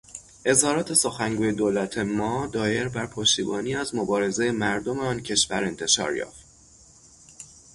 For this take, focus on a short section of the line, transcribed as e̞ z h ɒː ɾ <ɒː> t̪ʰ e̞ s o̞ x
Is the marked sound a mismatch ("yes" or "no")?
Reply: no